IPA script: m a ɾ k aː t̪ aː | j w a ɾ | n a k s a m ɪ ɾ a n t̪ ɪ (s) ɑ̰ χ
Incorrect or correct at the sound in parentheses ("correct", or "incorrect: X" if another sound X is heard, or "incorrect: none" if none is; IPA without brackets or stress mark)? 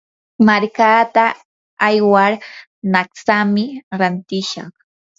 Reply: incorrect: ʃ